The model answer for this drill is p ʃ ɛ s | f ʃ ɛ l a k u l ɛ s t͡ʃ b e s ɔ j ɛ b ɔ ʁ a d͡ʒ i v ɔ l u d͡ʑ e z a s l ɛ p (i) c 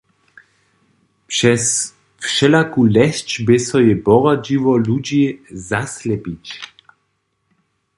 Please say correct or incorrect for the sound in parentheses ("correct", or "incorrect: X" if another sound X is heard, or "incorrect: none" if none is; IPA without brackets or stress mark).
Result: correct